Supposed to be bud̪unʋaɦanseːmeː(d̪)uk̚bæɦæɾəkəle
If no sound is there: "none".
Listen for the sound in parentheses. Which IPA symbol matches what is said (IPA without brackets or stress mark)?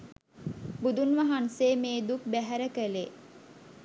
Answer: d̪